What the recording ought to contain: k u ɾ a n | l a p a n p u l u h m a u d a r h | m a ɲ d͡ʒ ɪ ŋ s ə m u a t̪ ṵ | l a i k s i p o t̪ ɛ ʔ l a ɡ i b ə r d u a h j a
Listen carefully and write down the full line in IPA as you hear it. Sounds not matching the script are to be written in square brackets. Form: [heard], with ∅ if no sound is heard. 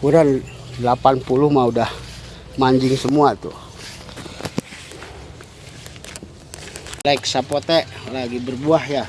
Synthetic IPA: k u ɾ a n | l a p a n p u l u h m a u d a [∅] h | m a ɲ d͡ʒ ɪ ŋ s ə m u a t̪ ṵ | l a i k s [a] p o t̪ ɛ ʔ l a ɡ i b ə r [b] u a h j a

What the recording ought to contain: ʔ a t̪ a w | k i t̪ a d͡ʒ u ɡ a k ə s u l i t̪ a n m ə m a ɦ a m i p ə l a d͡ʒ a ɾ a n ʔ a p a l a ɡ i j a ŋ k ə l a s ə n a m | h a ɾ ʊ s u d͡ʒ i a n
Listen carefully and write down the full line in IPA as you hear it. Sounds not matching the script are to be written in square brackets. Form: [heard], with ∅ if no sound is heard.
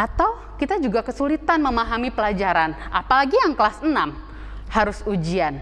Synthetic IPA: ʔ a t̪ a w | k i t̪ a d͡ʒ u ɡ a k ə s u l i t̪ a n m ə m a ɦ a m i p ə l a d͡ʒ a ɾ a n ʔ a p a l a ɡ i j a ŋ k ə l a s ə n a m | h a ɾ ʊ s u d͡ʒ i a n

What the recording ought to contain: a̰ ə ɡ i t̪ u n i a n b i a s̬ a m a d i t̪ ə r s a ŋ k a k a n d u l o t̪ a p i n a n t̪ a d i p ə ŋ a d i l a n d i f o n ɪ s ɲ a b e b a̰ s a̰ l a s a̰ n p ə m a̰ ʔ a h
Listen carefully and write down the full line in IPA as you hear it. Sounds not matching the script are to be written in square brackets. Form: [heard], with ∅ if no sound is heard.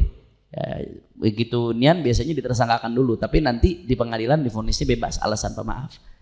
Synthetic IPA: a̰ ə ɡ i t̪ u n i a n b i a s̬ a [ɲ] a d i t̪ ə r s a ŋ k a k a n d u l [u] t̪ a p i n a n t̪ [i] d i p ə ŋ a d i l a n d i f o n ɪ s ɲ a b e b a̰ s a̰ l a s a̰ n p ə m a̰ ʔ a [f]

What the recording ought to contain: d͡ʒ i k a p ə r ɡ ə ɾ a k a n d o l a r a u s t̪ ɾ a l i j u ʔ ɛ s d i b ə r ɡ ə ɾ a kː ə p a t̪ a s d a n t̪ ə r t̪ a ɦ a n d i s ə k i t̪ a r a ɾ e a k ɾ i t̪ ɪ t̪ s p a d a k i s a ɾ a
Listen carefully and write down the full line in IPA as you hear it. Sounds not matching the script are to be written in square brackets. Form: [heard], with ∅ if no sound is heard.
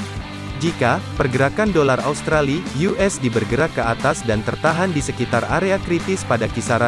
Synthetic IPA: d͡ʒ i k a p ə r ɡ ə ɾ a k a n d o l a r a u s t̪ ɾ a l i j u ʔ ɛ s d i b ə r ɡ ə ɾ a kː ə [∅] a t̪ a s d a n t̪ ə r t̪ a ɦ a n d i s ə k i t̪ a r a ɾ e a k ɾ i t̪ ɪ [∅] s p a d a k i s a ɾ a

